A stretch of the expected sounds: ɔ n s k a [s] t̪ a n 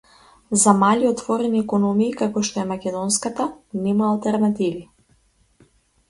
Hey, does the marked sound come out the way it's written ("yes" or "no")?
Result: no